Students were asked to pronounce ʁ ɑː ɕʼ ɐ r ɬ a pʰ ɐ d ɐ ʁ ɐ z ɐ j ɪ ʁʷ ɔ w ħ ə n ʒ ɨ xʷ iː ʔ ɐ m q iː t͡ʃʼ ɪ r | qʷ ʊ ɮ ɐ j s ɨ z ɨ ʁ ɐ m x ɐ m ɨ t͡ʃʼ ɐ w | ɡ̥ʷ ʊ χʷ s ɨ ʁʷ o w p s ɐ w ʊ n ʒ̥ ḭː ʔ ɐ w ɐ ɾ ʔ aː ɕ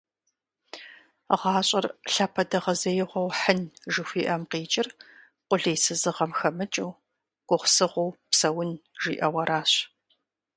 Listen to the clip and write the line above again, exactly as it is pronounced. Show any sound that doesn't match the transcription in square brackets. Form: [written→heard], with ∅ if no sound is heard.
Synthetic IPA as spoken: ʁ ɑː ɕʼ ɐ r ɬ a pʰ ɐ d ɐ ʁ ɐ z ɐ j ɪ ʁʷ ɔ w ħ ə n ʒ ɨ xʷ iː ʔ ɐ m q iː t͡ʃʼ ɪ r | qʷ ʊ ɮ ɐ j s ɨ z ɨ ʁ ɐ m x ɐ m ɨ t͡ʃʼ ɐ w | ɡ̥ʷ ʊ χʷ s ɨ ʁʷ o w p s ɐ w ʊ n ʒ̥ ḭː ʔ ɐ w ɐ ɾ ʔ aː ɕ